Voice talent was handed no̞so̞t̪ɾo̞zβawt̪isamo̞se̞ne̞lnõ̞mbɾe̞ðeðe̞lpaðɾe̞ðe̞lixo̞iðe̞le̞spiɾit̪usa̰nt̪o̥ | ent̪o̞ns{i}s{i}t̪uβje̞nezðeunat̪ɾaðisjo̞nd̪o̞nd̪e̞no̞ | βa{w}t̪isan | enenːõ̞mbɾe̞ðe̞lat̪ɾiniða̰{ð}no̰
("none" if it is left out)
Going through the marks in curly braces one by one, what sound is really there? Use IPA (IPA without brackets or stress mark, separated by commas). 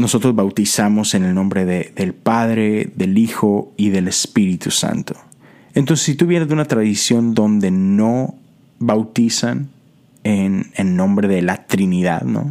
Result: e, i, w, ð